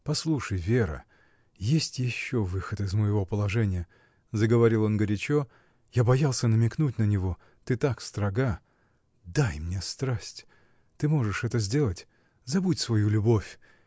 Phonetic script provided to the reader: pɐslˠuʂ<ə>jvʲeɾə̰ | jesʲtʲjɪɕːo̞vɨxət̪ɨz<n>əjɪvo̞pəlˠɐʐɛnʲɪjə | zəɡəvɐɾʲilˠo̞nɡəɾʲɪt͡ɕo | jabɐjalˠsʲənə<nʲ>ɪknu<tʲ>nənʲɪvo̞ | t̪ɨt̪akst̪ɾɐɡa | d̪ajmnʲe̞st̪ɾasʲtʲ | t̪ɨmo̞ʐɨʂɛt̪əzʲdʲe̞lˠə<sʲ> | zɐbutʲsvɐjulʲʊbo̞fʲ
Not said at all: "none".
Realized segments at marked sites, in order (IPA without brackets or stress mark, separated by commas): ə, m, mʲ, tʲ, tʲ